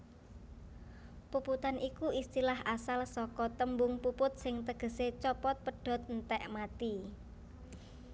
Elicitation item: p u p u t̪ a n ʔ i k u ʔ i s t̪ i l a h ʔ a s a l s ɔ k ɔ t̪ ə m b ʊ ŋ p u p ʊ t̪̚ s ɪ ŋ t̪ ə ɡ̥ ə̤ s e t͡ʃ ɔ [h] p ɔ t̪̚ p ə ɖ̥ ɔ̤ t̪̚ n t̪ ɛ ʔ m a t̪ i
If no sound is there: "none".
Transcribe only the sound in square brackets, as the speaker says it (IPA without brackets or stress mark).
none